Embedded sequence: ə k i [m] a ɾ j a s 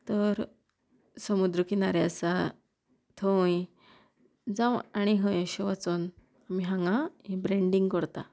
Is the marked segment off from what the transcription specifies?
yes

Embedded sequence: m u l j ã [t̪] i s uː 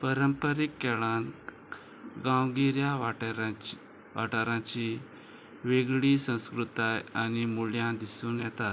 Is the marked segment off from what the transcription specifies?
yes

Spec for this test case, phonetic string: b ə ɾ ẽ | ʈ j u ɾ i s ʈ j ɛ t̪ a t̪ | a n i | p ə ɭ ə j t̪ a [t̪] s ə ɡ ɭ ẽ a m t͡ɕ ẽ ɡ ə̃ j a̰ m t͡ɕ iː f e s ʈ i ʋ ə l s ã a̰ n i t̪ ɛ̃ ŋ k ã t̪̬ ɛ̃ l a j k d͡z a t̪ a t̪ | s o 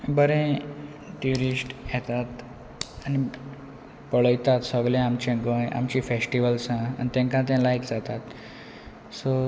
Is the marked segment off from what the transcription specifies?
no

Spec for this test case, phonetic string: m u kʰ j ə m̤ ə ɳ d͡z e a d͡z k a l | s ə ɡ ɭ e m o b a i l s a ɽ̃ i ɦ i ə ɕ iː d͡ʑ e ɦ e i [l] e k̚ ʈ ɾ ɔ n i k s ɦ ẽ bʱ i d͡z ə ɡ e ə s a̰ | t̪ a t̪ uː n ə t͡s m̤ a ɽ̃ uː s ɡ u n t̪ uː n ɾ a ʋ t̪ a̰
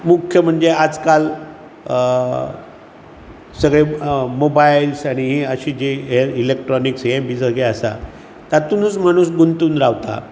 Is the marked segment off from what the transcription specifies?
no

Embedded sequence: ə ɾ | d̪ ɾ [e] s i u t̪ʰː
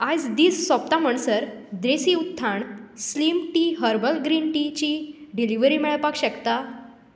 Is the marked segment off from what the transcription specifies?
no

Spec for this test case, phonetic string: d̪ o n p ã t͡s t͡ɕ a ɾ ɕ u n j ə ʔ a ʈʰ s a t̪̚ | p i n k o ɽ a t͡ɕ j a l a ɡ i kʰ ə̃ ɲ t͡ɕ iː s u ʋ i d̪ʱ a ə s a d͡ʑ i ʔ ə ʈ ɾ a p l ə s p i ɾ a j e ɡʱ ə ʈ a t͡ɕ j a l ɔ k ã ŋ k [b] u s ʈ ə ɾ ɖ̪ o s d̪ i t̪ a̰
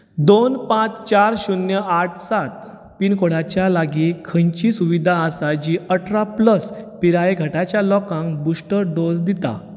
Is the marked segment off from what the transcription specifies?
no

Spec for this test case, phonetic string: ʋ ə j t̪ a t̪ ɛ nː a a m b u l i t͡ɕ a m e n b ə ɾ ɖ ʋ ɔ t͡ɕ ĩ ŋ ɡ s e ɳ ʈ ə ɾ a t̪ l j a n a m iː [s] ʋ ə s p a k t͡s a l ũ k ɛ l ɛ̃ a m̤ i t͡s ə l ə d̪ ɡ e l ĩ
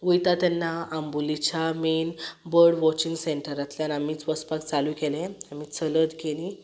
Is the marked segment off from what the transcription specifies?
yes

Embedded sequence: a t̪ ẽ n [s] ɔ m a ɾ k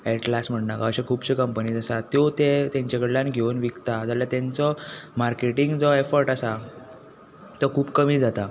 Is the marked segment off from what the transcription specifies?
yes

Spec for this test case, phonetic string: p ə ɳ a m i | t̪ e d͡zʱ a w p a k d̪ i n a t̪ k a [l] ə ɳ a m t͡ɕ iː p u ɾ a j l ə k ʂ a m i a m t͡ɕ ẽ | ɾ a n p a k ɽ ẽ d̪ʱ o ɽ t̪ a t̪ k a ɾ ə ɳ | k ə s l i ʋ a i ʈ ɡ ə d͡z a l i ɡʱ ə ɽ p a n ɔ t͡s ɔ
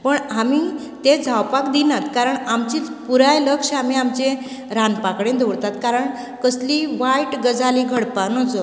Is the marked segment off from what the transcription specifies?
yes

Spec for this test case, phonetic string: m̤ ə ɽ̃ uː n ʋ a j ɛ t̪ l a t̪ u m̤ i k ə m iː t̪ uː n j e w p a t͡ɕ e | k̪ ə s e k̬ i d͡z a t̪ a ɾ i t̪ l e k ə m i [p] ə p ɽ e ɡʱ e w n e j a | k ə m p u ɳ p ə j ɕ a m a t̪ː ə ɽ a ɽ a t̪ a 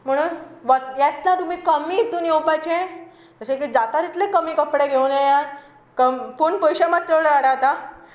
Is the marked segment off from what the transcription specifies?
yes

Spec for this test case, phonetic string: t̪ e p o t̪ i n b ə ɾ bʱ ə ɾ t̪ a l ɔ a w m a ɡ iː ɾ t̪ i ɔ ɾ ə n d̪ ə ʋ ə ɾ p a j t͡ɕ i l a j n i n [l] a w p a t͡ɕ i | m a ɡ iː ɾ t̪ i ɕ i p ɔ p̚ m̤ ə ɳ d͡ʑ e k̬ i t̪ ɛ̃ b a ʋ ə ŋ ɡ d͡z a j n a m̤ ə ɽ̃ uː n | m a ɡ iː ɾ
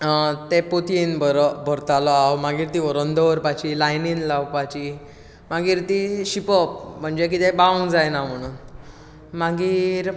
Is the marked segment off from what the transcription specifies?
no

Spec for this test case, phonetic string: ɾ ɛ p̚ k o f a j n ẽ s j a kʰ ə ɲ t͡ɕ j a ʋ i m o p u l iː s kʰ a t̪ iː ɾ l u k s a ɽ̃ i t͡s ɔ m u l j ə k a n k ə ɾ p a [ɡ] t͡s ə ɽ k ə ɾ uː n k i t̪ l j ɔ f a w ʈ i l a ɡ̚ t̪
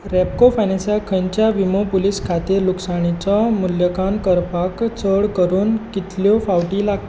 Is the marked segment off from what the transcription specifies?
yes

